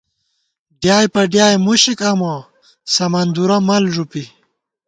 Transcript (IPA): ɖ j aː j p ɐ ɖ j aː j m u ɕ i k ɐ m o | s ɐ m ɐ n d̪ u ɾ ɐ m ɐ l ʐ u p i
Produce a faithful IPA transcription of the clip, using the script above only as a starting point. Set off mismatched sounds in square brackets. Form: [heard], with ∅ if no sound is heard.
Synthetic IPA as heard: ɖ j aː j p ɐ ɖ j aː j m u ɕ i k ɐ m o | s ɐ m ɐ n d̪ u ɾ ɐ m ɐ l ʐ u p i